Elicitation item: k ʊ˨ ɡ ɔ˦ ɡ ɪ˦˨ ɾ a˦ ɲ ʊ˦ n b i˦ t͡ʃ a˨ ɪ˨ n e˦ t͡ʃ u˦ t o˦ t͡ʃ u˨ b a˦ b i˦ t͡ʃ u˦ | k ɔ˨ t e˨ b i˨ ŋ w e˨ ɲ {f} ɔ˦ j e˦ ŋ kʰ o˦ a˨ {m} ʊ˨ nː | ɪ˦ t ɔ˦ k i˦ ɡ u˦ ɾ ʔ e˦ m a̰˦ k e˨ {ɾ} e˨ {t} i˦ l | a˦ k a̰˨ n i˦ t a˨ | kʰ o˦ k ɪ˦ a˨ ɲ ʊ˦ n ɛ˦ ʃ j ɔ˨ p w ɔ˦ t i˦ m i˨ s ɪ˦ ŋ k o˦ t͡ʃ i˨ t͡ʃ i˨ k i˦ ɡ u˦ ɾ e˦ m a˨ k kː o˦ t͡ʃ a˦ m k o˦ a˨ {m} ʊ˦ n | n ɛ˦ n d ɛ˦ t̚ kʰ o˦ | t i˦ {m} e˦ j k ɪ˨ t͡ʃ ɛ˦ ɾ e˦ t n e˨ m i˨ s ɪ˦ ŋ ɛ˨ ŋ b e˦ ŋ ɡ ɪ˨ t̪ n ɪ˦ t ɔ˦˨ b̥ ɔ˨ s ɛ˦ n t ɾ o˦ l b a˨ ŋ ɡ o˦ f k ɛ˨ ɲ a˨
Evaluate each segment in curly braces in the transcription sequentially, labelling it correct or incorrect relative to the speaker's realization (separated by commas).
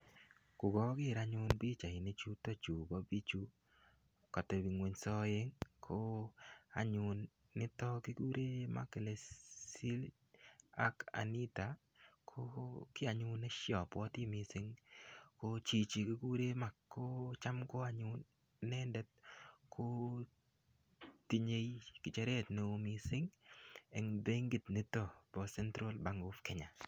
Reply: incorrect, incorrect, incorrect, incorrect, incorrect, incorrect